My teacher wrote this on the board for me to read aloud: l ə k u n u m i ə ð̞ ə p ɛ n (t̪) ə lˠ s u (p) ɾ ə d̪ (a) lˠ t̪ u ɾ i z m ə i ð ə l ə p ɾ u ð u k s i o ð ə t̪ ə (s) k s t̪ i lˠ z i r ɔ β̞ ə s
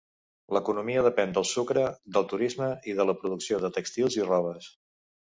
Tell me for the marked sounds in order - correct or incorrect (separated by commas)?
incorrect, incorrect, incorrect, incorrect